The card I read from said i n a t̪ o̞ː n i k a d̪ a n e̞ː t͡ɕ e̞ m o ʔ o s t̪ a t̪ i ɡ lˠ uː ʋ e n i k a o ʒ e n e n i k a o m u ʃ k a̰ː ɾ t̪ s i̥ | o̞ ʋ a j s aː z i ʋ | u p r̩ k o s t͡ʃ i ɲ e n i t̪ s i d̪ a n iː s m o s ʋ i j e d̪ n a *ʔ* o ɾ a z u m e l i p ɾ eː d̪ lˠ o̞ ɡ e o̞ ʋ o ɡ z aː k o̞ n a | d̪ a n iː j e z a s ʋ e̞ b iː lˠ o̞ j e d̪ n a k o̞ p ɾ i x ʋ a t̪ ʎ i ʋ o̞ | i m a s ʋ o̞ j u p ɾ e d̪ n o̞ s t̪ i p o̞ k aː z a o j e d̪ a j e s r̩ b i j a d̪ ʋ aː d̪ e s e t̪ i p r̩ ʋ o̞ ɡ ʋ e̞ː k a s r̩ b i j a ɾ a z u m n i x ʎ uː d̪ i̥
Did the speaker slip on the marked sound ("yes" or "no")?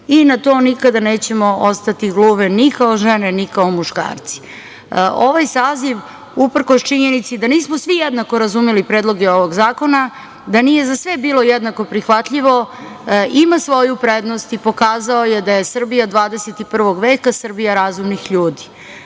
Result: yes